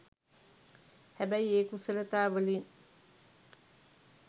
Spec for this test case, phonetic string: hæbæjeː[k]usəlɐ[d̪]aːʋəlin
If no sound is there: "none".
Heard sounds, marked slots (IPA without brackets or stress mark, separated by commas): k, t̪